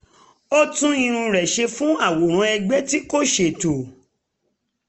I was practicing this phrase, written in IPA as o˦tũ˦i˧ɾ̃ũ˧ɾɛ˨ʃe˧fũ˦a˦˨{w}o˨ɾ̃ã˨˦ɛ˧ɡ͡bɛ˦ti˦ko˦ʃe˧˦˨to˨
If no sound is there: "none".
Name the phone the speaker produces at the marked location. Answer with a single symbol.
w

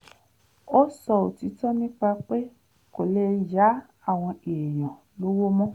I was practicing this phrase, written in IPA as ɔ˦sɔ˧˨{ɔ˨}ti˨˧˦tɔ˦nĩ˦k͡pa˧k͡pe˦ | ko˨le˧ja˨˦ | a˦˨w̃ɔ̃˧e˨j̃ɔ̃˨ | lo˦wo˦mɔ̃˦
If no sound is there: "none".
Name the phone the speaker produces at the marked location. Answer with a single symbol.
o˨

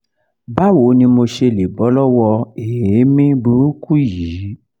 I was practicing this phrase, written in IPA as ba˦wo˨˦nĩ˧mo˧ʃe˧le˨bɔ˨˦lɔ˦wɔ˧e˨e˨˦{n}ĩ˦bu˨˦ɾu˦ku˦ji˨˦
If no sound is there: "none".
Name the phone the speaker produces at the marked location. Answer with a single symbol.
m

